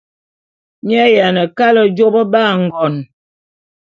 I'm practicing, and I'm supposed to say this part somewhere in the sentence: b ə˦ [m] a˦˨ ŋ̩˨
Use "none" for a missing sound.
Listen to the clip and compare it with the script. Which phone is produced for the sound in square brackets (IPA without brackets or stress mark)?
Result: b